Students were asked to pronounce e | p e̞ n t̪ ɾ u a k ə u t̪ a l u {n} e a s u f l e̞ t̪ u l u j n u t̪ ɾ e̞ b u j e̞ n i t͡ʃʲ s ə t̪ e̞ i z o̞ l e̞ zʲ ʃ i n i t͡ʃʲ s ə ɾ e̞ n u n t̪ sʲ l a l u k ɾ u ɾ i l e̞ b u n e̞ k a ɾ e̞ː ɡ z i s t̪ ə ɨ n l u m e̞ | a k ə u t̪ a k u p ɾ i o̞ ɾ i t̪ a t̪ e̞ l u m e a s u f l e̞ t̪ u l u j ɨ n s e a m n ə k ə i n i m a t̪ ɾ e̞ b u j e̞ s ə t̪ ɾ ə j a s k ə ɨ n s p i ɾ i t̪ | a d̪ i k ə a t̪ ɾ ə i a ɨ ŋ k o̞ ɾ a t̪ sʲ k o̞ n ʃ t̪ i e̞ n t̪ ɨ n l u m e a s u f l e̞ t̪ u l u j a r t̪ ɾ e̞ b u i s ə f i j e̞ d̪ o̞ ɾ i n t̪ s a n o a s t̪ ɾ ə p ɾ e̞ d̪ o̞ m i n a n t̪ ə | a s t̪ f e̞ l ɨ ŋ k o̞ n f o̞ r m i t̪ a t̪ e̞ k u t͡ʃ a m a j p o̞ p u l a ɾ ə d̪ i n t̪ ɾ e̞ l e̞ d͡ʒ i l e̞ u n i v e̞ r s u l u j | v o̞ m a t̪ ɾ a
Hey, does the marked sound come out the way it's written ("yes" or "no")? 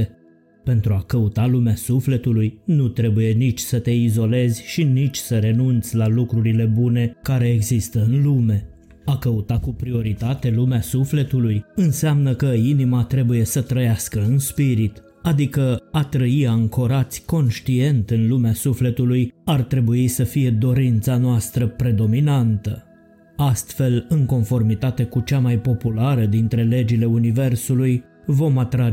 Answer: no